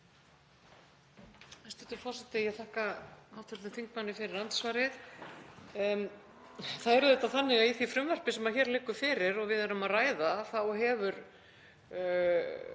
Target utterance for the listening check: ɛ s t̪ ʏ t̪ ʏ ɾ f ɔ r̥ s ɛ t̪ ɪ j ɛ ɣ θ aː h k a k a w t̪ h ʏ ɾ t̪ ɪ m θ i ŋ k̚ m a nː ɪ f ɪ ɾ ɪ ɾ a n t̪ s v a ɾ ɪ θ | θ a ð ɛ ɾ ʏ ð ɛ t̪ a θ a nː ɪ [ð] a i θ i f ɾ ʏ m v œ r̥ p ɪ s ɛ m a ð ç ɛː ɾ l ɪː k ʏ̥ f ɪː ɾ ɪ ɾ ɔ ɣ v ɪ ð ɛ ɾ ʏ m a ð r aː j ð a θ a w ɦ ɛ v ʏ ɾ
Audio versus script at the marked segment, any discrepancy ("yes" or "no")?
yes